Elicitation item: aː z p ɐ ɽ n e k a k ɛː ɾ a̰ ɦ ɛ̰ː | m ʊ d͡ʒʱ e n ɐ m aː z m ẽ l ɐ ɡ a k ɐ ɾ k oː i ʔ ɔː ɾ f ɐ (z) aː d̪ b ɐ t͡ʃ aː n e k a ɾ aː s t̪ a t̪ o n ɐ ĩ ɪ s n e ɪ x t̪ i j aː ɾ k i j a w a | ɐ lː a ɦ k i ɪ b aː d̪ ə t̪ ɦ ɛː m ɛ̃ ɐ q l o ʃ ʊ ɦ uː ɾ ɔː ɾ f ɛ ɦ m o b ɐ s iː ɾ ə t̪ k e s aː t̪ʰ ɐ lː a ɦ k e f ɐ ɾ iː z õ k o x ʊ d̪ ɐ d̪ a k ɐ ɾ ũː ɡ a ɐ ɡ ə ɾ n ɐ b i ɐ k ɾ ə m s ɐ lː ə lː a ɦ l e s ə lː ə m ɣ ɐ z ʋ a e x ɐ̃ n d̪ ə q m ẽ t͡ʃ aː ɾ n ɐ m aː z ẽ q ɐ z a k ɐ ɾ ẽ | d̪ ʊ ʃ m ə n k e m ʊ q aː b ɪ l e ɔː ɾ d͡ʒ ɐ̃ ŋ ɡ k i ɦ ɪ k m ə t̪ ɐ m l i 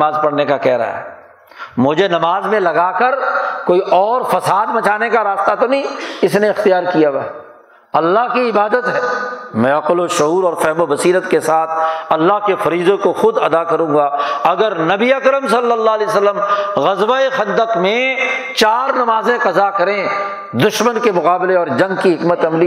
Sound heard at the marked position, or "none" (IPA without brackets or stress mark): s